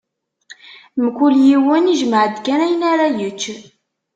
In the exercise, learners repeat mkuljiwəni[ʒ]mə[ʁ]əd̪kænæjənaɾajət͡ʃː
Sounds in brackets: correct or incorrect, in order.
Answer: correct, incorrect

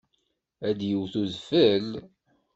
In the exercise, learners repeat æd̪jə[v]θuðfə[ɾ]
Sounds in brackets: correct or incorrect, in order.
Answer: incorrect, incorrect

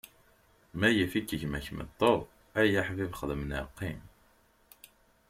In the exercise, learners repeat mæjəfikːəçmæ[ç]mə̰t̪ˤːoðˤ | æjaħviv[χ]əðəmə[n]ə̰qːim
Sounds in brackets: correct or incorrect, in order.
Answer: correct, correct, correct

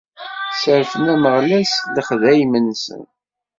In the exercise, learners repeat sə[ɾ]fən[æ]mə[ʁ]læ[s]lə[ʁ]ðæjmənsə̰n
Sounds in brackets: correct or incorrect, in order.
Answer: correct, correct, correct, correct, incorrect

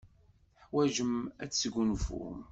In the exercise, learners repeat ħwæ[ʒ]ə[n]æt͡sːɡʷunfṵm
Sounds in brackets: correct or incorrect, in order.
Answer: correct, incorrect

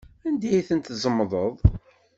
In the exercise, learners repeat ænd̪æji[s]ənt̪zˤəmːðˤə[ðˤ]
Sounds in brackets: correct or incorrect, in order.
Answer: incorrect, correct

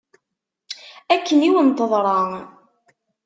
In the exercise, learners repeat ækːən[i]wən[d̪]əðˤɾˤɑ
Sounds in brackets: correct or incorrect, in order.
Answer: correct, incorrect

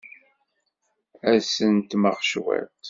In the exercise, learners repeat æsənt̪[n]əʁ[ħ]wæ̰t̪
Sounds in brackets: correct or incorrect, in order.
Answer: incorrect, incorrect

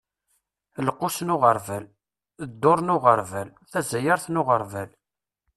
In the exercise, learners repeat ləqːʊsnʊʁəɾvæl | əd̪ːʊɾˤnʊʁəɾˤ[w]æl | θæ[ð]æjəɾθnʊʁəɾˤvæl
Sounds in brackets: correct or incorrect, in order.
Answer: incorrect, incorrect

